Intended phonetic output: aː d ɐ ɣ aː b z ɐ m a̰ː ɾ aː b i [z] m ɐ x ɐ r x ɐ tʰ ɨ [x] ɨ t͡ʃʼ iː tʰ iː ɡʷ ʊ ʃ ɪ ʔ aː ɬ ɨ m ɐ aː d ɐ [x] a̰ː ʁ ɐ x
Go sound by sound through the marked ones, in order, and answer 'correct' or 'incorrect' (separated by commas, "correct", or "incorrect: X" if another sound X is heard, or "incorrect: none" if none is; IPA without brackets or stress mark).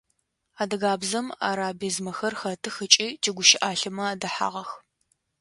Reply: correct, correct, incorrect: ħ